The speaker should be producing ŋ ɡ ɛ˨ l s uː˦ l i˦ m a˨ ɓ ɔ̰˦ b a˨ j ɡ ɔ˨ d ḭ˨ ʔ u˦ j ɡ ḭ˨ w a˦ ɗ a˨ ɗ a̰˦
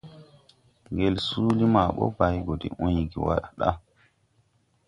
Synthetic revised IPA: ŋ ɡ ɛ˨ l s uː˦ l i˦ m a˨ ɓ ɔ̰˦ b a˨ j ɡ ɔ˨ d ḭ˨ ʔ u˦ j ɡ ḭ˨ w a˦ ɗ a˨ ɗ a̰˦